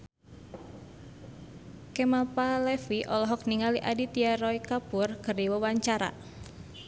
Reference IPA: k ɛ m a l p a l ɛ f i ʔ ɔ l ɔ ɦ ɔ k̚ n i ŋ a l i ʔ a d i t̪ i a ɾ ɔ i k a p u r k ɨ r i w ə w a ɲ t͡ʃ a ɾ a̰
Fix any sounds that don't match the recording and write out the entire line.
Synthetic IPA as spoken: k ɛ m a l p a l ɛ f i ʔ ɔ l ɔ ɦ ɔ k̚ n i ŋ a l i ʔ a d i t̪ i a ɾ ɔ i k a p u r k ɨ r i w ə w a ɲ t͡ʃ a ɾ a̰

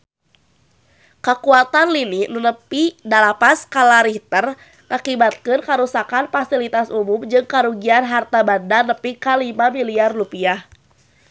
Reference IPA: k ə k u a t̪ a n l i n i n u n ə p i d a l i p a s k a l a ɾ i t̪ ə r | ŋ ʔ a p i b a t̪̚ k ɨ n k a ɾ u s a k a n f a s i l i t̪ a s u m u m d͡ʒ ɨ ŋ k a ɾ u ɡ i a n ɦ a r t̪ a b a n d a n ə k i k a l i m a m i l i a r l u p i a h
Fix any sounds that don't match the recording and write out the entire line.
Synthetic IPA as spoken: k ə k u a t̪ a n l i n i n u n ə p i d a l a p a s k a l a ɾ i t̪ ə r | ŋ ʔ a k i b a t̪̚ k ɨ n k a ɾ u s a k a n f a s i l i t̪ a s u m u m d͡ʒ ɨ ŋ k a ɾ u ɡ i a n ɦ a r t̪ a b a n d a n ə p i k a l i m a m i l i a r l u p i a h

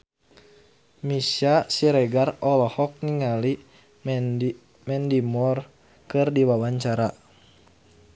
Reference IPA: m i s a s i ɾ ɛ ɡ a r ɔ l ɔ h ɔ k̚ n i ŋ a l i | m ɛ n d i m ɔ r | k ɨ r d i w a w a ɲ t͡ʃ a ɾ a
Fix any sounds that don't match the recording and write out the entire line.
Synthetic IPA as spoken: m i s a s i ɾ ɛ ɡ a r ɔ l ɔ h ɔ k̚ n i ŋ a l i | m ɛ n d i m ɔ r | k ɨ r d i w a w a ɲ t͡ʃ a ɾ a

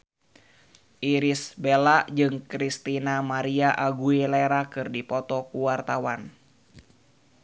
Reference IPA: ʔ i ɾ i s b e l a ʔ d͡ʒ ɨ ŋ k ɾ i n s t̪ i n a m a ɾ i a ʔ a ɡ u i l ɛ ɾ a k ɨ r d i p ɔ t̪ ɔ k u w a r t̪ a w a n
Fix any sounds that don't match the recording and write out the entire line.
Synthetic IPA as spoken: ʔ i ɾ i s b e l a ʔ d͡ʒ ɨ ŋ k ɾ i s t̪ i n a m a ɾ i a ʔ a ɡ u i l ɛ ɾ a k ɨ r d i p ɔ t̪ ɔ k u w a r t̪ a w a n

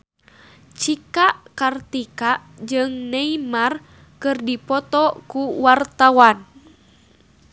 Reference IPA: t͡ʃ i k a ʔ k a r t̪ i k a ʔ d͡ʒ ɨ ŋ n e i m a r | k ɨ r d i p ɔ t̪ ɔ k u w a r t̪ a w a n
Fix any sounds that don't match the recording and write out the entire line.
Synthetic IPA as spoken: t͡ʃ i k a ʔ k a r t̪ i k a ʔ d͡ʒ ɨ ŋ n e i m a r | k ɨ r d i p ɔ t̪ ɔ k u w a r t̪ a w a n

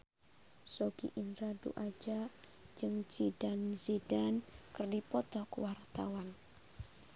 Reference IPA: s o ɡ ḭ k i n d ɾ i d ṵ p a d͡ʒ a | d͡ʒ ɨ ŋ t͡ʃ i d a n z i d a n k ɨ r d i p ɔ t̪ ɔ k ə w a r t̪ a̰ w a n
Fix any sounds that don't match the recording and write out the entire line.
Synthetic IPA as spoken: s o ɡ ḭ ʔ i n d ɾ a d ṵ ʔ a d͡ʒ a | d͡ʒ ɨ ŋ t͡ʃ i d a n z i d a n k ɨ r d i p ɔ t̪ ɔ k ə w a r t̪ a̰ w a n

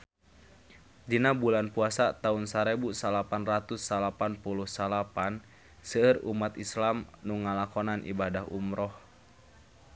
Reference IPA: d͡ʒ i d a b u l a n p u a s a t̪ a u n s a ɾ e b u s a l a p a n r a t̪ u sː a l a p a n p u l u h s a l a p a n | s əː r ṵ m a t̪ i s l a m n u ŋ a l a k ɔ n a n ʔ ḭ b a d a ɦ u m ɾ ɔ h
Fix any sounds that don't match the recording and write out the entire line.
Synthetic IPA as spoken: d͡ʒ i n a b u l a n p u a s a t̪ a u n s a ɾ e b u s a l a p a n r a t̪ u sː a l a p a n p u l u h s a l a p a n | s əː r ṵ m a t̪ i s l a m n u ŋ a l a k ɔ n a n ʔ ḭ b a d a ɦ u m ɾ ɔ h

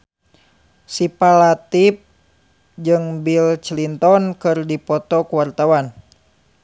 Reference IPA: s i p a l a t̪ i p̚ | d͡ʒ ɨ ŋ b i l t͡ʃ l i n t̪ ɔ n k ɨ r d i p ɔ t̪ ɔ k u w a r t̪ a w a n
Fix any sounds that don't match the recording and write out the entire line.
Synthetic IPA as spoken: s i p a l a t̪ i p̚ | d͡ʒ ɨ ŋ b i l t͡ʃ l i n t̪ ɔ n k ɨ r d i p ɔ t̪ ɔ k u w a r t̪ a w a n

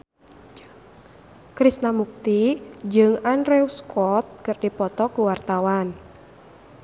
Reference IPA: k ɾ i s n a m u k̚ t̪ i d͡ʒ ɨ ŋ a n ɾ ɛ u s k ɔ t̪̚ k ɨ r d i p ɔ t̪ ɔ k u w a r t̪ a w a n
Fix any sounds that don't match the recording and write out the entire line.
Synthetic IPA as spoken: k ɾ i s n a m u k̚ t̪ i d͡ʒ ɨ ŋ a n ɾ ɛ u s k ɔ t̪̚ k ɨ r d i p ɔ t̪ ɔ k u w a r t̪ a w a n

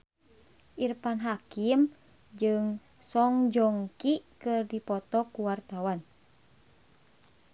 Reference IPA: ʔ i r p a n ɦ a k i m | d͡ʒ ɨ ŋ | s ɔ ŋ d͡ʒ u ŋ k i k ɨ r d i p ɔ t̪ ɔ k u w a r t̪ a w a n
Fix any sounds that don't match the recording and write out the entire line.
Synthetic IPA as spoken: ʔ i r p a n ɦ a k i m | d͡ʒ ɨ ŋ | s ɔ ŋ d͡ʒ ɔ ŋ k i k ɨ r d i p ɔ t̪ ɔ k u w a r t̪ a w a n

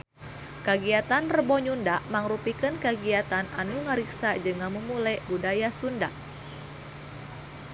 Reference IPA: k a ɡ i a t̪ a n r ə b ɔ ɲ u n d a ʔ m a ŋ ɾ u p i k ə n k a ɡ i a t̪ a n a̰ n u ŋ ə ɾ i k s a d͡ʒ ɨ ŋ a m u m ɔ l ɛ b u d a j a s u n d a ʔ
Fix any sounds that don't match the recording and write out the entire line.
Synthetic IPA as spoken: k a ɡ i a t̪ a n r ə b ɔ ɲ u n d a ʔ m a ŋ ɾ u p i k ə n k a ɡ i a t̪ a n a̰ n u ŋ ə ɾ i k s a d͡ʒ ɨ ŋ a m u m u l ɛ b u d a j a s u n d a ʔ

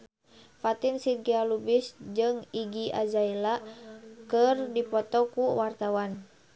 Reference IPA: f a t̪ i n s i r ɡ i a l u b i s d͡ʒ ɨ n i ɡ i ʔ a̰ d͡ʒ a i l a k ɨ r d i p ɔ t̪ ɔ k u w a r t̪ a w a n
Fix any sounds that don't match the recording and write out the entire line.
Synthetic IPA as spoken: f a t̪ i n s i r ɡ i a l u b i s d͡ʒ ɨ ŋ i ɡ i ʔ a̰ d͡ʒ a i l a k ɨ r d i p ɔ t̪ ɔ k u w a r t̪ a w a n

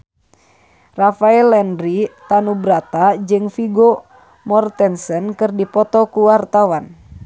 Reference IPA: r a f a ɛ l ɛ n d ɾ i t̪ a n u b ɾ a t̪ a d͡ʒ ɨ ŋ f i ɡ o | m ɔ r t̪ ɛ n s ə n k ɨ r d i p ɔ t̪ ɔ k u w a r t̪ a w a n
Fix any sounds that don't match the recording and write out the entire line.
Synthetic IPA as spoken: r a f a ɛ l ɛ n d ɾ i t̪ a n u b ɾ a t̪ a d͡ʒ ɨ ŋ f i ɡ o | m ɔ r t̪ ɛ n s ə n k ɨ r d i p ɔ t̪ ɔ k u w a r t̪ a w a n

